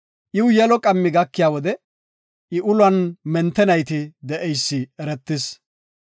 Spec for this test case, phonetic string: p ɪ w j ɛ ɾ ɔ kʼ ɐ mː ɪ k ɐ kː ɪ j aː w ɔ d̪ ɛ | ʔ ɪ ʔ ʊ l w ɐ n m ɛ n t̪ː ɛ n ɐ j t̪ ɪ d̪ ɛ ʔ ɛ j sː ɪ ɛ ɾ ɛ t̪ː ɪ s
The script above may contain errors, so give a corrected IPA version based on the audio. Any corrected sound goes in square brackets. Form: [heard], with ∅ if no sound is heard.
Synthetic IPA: [ʔ] ɪ w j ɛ [l] ɔ kʼ ɐ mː ɪ [ɡ] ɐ kː ɪ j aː w ɔ d̪ ɛ | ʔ ɪ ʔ ʊ l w ɐ n m ɛ n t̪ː ɛ n ɐ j t̪ ɪ d̪ ɛ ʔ ɛ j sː ɪ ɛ ɾ ɛ t̪ː ɪ s

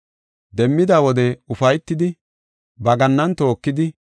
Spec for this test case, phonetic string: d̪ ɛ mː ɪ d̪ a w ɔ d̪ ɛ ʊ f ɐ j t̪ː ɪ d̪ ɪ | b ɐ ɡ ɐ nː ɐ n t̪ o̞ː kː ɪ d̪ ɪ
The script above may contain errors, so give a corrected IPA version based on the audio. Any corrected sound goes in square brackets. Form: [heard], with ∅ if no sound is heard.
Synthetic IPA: d̪ ɛ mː ɪ d̪ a w ɔ d̪ ɛ ʊ f ɐ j t̪ː ɪ d̪ ɪ | b ɐ ɡ ɐ nː ɐ n t̪ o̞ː kː ɪ d̪ ɪ

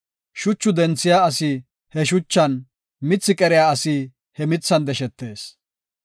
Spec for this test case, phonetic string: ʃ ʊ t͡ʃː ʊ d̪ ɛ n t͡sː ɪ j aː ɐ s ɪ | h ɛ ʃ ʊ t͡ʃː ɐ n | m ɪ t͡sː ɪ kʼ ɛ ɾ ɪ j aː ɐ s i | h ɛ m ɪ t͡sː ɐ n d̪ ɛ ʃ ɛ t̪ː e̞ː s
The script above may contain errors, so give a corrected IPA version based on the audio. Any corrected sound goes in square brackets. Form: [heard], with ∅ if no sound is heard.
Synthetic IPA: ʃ ʊ t͡ʃː ʊ d̪ ɛ n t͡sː ɪ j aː ɐ s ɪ | h ɛ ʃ ʊ t͡ʃː ɐ n | m ɪ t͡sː ɪ kʼ ɛ ɾ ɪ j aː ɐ s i | h ɛ m ɪ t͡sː ɐ n d̪ ɛ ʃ ɛ t̪ː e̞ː s

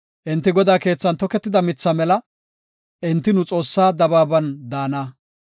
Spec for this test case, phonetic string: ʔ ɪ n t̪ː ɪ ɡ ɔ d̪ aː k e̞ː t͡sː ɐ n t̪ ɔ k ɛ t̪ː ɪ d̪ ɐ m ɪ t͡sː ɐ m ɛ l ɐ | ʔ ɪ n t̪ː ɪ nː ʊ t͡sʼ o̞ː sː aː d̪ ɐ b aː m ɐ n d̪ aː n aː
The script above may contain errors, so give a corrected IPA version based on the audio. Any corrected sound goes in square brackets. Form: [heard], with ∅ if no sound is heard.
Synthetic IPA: ʔ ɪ n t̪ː ɪ ɡ ɔ d̪ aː k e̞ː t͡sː ɐ n t̪ ɔ k ɛ t̪ː ɪ d̪ ɐ m ɪ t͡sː ɐ m ɛ l ɐ | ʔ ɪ n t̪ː ɪ [n] ʊ t͡sʼ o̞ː sː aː d̪ ɐ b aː [b] ɐ n d̪ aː n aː

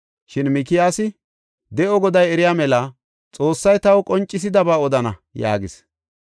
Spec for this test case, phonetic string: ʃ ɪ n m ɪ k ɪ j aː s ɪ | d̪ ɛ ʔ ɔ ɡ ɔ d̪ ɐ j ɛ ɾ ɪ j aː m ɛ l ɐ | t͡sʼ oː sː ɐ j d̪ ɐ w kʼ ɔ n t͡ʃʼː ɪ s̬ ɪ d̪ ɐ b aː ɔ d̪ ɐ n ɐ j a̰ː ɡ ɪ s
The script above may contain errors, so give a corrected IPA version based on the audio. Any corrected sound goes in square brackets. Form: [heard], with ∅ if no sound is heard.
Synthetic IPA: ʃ ɪ n m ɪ k ɪ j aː s ɪ | d̪ ɛ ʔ ɔ ɡ ɔ d̪ ɐ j ɛ ɾ ɪ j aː m ɛ l ɐ | t͡sʼ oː sː ɐ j [t̪] ɐ w kʼ ɔ n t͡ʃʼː ɪ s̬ ɪ d̪ ɐ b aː ɔ d̪ ɐ n ɐ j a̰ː ɡ ɪ s

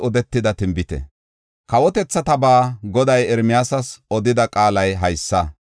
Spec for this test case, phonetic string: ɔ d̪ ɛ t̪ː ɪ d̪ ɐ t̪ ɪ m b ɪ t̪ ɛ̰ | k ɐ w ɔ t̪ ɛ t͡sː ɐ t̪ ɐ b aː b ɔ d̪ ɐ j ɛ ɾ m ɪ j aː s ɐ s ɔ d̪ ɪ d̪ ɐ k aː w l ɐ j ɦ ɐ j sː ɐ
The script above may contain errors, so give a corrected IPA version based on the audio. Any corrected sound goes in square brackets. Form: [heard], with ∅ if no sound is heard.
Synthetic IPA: ɔ d̪ ɛ t̪ː ɪ d̪ ɐ t̪ ɪ m b ɪ t̪ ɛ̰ | k ɐ w ɔ t̪ ɛ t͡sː ɐ t̪ ɐ b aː [ɡ] ɔ d̪ ɐ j ɛ ɾ m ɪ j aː s ɐ s ɔ d̪ ɪ d̪ ɐ [kʼ] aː [∅] l ɐ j ɦ ɐ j sː ɐ

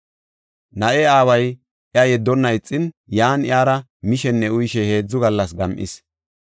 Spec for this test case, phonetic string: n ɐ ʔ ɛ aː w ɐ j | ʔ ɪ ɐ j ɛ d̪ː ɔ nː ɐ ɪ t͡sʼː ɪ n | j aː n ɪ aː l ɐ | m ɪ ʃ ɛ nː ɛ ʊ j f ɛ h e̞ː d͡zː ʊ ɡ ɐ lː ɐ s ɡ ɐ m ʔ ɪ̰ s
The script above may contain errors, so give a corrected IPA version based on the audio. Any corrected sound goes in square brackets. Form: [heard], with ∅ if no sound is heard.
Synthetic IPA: n ɐ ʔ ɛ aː w ɐ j | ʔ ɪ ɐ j ɛ d̪ː ɔ nː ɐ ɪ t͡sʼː ɪ n | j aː n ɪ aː [ɾ] ɐ | m ɪ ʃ ɛ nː ɛ ʊ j [ʃ] ɛ h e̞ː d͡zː ʊ ɡ ɐ lː ɐ s ɡ ɐ m ʔ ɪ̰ s

